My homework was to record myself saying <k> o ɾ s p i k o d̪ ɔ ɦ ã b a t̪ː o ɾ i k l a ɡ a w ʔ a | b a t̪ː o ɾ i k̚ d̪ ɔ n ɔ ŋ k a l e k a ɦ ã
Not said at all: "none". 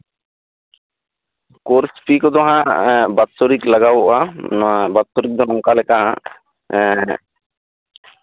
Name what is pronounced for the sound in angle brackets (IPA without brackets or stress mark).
k